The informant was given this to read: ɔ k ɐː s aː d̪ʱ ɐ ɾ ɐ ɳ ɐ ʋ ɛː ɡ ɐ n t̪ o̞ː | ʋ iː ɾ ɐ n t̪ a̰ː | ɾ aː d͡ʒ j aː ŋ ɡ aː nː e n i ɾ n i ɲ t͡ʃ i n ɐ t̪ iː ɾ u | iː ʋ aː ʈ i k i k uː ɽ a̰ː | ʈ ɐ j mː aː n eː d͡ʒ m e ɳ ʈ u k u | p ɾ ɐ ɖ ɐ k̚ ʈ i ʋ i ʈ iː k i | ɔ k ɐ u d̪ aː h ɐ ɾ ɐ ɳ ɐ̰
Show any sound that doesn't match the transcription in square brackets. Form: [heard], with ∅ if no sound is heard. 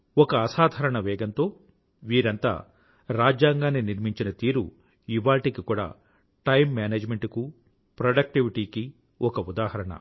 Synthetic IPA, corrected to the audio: ɔ k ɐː s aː d̪ʱ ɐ ɾ ɐ ɳ ɐ ʋ ɛː ɡ ɐ n t̪ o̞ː | ʋ iː ɾ ɐ n t̪ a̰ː | ɾ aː d͡ʒ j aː ŋ ɡ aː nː [i] n i ɾ [m] i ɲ t͡ʃ i n ɐ t̪ iː ɾ u | [i] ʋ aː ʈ i k i k uː ɽ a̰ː | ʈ ɐ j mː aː n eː d͡ʒ m e ɳ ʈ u k u | p ɾ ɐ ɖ ɐ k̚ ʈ i ʋ i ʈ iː k i | ɔ k ɐ u d̪ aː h ɐ ɾ ɐ ɳ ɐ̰